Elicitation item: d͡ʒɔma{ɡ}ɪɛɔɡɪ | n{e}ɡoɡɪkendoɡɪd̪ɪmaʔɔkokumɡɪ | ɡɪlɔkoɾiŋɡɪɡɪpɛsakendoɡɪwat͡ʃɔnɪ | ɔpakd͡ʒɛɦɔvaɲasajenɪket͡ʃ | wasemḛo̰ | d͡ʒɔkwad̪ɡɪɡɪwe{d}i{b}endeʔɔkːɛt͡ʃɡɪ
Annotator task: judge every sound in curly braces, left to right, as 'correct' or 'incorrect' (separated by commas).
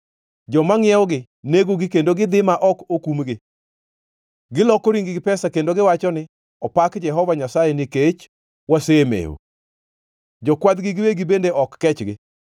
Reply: incorrect, correct, incorrect, correct